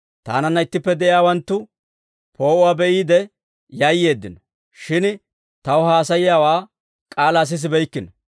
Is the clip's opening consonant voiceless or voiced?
voiceless